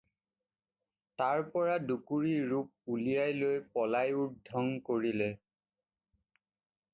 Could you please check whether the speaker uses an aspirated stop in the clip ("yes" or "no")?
no